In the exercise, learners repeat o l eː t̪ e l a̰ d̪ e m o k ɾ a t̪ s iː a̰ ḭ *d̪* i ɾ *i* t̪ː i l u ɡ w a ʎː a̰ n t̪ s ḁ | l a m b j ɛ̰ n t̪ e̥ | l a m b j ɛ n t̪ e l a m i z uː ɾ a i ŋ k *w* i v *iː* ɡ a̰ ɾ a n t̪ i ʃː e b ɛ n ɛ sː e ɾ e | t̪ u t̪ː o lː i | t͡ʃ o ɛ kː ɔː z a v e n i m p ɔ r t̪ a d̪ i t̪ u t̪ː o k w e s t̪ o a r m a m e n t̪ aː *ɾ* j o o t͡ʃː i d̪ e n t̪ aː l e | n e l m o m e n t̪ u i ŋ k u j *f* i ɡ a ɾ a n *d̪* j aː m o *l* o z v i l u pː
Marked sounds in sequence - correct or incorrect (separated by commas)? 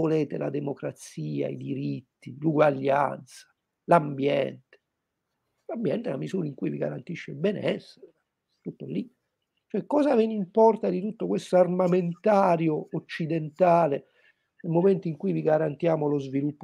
correct, correct, incorrect, incorrect, correct, incorrect, incorrect, correct